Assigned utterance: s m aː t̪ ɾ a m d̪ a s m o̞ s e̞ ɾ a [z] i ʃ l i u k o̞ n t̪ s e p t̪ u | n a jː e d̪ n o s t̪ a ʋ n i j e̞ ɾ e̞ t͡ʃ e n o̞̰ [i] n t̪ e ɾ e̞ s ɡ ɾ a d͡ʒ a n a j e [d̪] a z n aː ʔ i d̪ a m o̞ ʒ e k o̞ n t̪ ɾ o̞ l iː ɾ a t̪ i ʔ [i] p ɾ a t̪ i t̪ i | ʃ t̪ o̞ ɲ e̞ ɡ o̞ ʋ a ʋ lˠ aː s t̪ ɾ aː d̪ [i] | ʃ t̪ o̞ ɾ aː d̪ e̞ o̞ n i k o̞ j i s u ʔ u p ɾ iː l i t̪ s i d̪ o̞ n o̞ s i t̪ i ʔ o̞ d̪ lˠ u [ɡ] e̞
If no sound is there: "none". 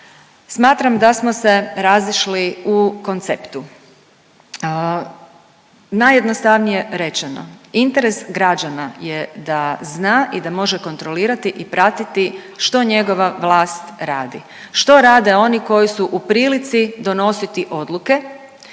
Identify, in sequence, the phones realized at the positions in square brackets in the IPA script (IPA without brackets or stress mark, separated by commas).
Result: z, i, d̪, i, i, k